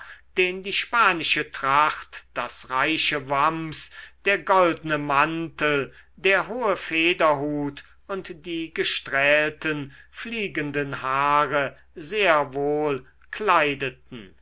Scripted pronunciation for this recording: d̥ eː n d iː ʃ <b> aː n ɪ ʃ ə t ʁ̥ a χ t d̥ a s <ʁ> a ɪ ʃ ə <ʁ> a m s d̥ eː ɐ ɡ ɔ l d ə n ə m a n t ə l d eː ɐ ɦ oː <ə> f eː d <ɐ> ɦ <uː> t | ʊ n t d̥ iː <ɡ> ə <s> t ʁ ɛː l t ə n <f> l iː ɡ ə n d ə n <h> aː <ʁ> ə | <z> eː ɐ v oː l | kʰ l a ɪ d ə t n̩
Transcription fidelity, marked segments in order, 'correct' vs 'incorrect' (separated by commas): incorrect, correct, incorrect, correct, correct, correct, correct, incorrect, correct, correct, correct, correct